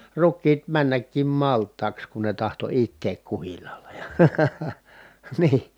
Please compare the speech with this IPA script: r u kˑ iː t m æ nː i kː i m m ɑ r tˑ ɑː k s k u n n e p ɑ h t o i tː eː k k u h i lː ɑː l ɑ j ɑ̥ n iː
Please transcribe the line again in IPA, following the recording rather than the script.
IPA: r u kˑ iː t m æ nː æ kː i m m ɑ l tˑ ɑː k s k u n n e t ɑ h t o i tː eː k k u h i lː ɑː l ɑ j ɑ̥ n iː